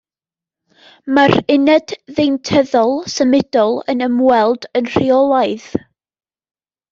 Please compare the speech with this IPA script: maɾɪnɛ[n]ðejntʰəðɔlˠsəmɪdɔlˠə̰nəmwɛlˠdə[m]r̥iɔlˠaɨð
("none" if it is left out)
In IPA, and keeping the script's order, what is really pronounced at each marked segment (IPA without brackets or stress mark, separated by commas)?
d, n